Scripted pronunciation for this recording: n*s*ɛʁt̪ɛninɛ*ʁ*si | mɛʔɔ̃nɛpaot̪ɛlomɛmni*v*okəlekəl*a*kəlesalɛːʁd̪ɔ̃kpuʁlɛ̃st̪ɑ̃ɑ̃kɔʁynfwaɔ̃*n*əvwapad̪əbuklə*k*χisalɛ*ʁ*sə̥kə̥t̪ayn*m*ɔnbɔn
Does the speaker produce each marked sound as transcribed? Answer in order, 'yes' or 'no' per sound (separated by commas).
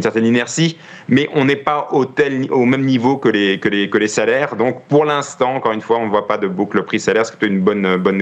yes, yes, yes, no, yes, no, yes, no